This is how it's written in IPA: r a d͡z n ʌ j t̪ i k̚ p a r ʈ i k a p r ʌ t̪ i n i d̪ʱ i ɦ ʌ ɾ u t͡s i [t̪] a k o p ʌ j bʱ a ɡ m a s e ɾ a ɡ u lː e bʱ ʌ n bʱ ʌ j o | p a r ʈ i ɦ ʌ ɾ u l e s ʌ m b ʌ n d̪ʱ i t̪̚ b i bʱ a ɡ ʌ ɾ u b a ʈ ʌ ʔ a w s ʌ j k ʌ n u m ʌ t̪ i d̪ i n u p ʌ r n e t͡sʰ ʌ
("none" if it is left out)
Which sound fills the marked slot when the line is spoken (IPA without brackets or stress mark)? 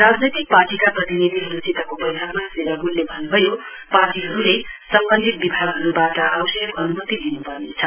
t̪